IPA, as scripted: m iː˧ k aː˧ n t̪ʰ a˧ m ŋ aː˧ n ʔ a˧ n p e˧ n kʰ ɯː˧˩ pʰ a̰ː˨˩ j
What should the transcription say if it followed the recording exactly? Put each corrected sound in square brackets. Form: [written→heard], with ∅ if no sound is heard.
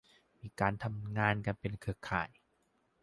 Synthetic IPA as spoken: m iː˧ k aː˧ n t̪ʰ a˧ m ŋ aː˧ n [ʔ→k] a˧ n p e˧ n kʰ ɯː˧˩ [pʰ→kʰ] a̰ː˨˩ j